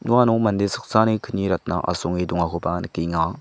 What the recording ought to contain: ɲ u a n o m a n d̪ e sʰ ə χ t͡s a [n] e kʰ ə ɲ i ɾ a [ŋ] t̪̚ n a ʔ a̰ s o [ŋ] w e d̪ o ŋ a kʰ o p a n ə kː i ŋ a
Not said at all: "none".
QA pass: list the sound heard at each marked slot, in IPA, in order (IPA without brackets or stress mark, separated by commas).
n, none, ŋ